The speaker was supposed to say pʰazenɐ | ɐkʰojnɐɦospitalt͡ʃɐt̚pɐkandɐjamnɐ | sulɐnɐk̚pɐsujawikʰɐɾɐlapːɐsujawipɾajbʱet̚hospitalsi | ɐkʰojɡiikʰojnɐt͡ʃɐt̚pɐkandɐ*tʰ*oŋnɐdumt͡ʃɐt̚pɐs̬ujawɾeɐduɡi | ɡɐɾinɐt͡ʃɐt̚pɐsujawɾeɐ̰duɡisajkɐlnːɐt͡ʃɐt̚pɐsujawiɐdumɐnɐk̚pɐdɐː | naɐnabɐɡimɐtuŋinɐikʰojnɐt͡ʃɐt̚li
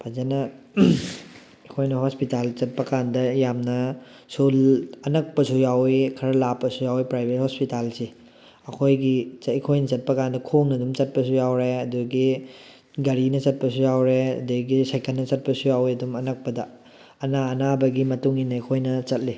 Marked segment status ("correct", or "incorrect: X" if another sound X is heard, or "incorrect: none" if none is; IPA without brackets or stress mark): incorrect: kʰ